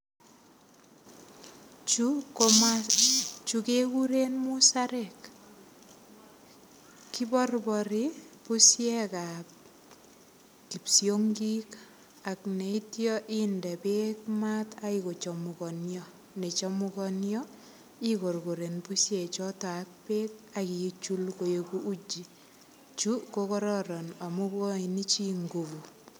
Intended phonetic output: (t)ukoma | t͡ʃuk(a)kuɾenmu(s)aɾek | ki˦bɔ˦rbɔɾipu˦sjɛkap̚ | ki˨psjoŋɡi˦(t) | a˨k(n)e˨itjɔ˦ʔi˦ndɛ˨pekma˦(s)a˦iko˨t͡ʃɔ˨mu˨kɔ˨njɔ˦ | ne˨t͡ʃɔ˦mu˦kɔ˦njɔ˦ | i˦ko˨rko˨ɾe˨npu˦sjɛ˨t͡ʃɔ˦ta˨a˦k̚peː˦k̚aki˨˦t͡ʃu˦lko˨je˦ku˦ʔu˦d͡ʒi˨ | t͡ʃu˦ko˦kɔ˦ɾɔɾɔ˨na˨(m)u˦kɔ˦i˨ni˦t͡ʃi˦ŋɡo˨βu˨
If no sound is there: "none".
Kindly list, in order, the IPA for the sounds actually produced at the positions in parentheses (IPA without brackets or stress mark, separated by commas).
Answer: t͡ʃ, e, s, k, n, t, m